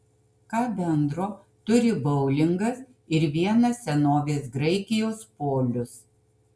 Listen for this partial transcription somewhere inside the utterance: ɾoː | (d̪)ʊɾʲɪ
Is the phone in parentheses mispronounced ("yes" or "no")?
yes